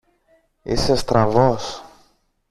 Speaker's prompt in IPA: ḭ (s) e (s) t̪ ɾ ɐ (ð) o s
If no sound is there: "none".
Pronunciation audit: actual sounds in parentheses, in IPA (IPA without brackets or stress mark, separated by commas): s, s, v